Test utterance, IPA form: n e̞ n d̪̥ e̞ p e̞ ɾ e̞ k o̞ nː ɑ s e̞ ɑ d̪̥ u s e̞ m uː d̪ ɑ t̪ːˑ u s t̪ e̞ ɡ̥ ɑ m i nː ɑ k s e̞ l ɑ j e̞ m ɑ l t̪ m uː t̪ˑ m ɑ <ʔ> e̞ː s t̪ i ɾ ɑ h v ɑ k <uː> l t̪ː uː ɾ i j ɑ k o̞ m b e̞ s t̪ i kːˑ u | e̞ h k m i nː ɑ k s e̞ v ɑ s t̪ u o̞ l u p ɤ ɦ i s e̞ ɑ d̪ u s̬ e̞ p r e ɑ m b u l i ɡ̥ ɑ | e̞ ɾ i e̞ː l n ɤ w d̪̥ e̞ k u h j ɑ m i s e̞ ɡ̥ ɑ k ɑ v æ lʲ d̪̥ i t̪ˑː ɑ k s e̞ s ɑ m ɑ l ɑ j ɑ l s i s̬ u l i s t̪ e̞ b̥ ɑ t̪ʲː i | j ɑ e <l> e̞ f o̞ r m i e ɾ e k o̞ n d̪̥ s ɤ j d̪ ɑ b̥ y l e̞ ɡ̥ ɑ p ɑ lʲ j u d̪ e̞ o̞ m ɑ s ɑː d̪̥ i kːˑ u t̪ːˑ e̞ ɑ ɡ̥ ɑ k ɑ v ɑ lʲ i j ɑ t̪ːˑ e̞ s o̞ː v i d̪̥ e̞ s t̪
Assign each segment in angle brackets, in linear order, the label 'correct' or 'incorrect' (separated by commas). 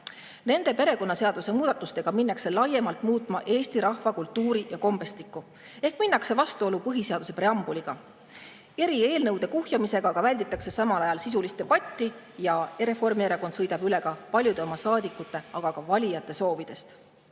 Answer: correct, incorrect, incorrect